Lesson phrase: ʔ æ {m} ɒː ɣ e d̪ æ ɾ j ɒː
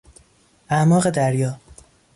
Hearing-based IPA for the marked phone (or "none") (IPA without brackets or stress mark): m